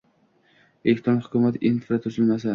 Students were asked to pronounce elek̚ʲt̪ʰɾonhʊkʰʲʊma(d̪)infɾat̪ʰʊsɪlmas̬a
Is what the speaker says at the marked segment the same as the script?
no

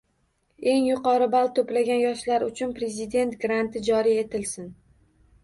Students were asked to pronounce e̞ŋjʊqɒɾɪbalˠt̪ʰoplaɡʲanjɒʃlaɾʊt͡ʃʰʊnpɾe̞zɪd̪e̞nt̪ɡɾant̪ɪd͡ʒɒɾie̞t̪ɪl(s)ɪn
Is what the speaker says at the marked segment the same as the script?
yes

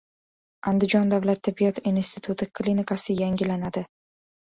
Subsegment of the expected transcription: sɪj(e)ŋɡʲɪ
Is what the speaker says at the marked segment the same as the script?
no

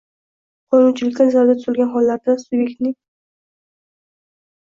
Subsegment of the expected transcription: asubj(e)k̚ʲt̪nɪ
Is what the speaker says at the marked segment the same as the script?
yes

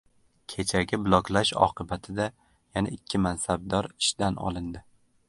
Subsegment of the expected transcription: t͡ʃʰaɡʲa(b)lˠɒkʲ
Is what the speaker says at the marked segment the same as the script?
yes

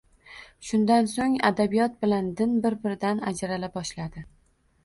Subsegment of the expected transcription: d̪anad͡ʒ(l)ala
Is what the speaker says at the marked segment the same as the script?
no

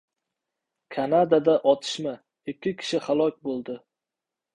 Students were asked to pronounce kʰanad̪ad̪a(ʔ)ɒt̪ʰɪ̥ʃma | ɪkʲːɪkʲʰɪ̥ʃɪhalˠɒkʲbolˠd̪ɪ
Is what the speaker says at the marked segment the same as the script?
yes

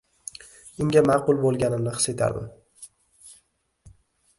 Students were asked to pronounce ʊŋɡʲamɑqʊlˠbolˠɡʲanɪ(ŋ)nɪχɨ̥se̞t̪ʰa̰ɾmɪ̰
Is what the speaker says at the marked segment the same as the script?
no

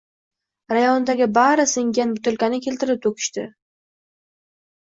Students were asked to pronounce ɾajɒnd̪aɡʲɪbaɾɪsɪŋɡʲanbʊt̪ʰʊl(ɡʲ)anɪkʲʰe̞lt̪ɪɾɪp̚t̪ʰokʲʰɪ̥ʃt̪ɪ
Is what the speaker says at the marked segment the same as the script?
no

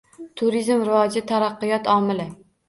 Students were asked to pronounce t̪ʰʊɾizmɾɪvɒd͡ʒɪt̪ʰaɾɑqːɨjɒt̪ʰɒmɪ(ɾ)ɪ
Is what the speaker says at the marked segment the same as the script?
no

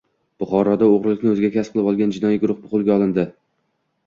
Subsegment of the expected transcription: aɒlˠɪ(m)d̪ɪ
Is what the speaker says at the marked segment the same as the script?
no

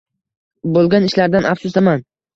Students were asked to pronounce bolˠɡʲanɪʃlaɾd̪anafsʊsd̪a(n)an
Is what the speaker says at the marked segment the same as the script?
no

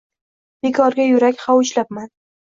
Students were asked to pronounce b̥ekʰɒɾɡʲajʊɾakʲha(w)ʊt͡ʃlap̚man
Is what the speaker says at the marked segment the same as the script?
yes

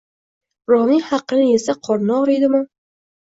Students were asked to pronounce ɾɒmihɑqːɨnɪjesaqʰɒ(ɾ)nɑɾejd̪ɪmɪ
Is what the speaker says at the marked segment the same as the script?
yes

